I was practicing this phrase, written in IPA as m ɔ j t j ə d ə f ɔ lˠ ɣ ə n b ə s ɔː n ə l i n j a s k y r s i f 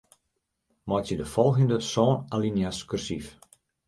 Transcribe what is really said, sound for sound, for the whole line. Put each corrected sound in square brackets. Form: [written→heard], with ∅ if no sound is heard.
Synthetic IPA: m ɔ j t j ə d ə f ɔ lˠ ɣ ə n [b→d] ə s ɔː n [ə→a] l i n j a s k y r s i f